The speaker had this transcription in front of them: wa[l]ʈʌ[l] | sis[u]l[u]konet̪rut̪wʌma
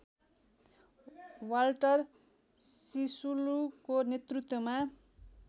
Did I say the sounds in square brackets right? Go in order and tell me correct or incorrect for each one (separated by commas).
correct, incorrect, correct, correct